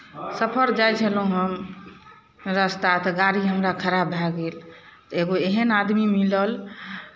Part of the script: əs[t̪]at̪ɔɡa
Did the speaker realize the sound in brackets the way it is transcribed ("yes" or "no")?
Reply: yes